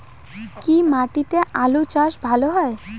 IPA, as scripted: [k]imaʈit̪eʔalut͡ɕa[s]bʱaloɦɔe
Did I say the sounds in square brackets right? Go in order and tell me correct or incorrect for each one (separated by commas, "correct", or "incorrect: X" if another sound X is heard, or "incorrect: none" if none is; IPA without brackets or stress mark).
correct, incorrect: ʃ